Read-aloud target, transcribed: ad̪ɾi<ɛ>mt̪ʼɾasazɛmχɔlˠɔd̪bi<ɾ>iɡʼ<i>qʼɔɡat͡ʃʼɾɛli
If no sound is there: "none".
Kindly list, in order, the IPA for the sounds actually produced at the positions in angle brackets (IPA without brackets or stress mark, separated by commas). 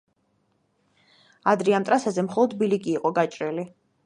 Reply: a, l, iː